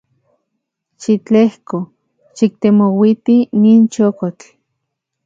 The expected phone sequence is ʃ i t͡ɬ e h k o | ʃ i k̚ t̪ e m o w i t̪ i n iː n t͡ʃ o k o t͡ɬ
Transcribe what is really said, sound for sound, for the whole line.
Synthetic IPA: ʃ i t͡ɬ e h k o | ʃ i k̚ t̪ e m o w i t̪ i n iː n t͡ʃ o k o t͡ɬ